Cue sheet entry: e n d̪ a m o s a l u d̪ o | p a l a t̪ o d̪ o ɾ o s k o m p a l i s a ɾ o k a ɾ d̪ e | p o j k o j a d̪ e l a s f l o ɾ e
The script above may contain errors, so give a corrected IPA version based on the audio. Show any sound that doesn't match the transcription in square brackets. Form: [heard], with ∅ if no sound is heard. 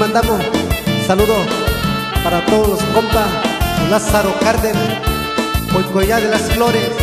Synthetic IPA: [a] n d̪ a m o s a l u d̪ o | p a [ɾ] a t̪ o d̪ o [l] o s k o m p a l [a] s a ɾ o k a ɾ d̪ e | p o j k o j a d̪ e l a s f l o ɾ e